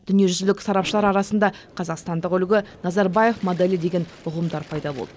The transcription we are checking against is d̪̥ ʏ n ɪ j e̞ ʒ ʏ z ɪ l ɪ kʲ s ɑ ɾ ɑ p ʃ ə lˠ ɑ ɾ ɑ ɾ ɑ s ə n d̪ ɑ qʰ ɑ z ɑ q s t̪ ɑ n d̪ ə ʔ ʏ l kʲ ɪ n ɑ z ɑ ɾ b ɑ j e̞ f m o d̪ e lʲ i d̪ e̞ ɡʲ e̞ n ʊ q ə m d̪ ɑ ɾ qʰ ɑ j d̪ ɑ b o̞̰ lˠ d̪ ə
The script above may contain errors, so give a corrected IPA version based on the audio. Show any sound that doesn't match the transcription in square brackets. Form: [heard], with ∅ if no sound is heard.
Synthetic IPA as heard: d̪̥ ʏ n [i] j e̞ ʒ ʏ z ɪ l ɪ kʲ s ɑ ɾ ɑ p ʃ ə lˠ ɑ ɾ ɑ ɾ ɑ s ə n d̪ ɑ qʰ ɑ z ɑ q s t̪ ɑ n d̪ ə [q] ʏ l [ɡʲ] ɪ n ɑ z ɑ ɾ b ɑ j e̞ f m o d̪ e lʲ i d̪ e̞ ɡʲ e̞ n ʊ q ə m d̪ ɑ ɾ [pʰ] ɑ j d̪ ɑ b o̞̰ lˠ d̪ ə